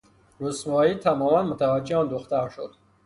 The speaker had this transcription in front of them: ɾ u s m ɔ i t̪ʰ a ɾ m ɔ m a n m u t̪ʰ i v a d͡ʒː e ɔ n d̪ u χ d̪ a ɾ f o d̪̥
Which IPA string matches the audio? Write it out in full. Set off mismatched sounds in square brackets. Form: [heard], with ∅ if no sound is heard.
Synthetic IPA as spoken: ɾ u s m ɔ i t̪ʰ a [∅] m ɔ m a n m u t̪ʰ [a] v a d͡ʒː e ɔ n d̪ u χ [t̪] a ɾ [ʃ] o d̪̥